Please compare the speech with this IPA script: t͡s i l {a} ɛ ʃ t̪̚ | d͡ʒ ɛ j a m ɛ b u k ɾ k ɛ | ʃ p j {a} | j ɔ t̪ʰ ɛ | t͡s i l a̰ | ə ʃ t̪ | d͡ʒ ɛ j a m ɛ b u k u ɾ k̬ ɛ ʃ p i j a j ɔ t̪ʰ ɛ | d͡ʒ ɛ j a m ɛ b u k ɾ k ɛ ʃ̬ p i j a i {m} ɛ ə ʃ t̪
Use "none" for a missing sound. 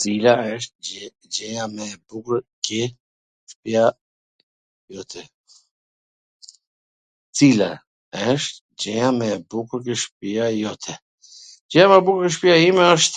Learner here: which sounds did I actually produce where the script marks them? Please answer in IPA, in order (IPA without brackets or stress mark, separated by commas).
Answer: a, a, m